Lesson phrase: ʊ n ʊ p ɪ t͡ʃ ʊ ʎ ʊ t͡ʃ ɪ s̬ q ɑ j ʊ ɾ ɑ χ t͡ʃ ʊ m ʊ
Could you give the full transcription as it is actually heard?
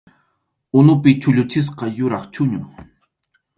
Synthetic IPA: ʊ n ʊ p ɪ t͡ʃ ʊ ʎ ʊ t͡ʃ ɪ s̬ q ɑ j ʊ ɾ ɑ χ t͡ʃ ʊ ɲ ʊ